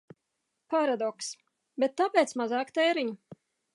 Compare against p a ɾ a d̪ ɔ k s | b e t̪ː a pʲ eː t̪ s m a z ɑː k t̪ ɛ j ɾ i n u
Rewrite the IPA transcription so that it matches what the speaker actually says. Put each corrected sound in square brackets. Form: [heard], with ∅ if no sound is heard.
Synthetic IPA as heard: p a ɾ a d̪ ɔ k s | b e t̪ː a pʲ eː t̪ s m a z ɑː k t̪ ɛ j ɾ i [ɲ] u